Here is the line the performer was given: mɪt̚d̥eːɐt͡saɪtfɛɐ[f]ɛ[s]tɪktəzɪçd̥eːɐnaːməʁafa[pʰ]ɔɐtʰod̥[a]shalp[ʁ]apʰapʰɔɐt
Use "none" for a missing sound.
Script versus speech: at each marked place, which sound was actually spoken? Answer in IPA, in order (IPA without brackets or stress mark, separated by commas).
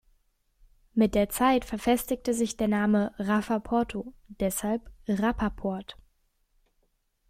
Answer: f, s, pʰ, ɛ, ʁ